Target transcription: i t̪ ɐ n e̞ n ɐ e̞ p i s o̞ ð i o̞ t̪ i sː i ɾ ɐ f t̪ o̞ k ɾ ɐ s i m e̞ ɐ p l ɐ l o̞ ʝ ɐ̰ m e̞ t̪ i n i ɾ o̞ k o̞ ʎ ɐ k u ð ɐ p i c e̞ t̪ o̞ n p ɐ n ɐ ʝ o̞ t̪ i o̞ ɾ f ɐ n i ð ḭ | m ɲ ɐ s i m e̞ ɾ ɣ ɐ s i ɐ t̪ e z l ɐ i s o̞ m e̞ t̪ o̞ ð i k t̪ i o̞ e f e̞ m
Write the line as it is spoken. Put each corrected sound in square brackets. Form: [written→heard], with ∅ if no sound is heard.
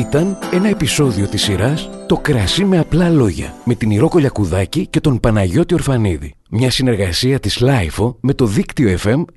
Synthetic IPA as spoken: i t̪ ɐ n e̞ n ɐ e̞ p i s o̞ ð i o̞ t̪ i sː i ɾ ɐ [f→s] t̪ o̞ k ɾ ɐ s i m e̞ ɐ p l ɐ l o̞ ʝ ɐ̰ m e̞ t̪ i n i ɾ o̞ k o̞ ʎ ɐ k u ð ɐ [p→c] i c e̞ t̪ o̞ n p ɐ n ɐ ʝ o̞ t̪ i o̞ ɾ f ɐ n i ð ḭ | m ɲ ɐ s i [m→n] e̞ ɾ ɣ ɐ s i ɐ t̪ [e→i] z l ɐ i [s→f] o̞ m e̞ t̪ o̞ ð i k t̪ i o̞ e f e̞ m